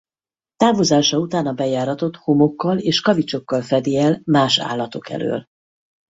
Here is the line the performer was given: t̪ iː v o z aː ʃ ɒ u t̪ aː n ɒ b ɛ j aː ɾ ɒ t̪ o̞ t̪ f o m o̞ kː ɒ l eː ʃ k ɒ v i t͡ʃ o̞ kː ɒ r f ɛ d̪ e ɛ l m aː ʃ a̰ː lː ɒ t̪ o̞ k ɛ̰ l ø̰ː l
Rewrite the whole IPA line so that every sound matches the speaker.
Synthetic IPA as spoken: t̪ aː v o z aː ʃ ɒ u t̪ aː n ɒ b ɛ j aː ɾ ɒ t̪ o̞ t̪ h o m o̞ kː ɒ l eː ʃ k ɒ v i t͡ʃ o̞ kː ɒ l f ɛ d̪ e ɛ l m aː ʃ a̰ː lː ɒ t̪ o̞ k ɛ̰ l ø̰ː l